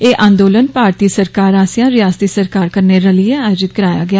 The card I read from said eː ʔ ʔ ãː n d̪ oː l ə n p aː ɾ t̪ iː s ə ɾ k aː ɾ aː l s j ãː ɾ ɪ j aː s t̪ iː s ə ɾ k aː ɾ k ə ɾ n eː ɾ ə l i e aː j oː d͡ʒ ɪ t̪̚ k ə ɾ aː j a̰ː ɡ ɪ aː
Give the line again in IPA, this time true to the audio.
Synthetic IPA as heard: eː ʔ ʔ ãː n d̪ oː l ə n p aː ɾ t̪ iː s ə ɾ k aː ɾ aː s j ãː ɾ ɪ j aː s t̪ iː s ə ɾ k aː ɾ k ə ɾ n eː ɾ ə l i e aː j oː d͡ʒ ɪ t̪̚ k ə ɾ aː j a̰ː ɡ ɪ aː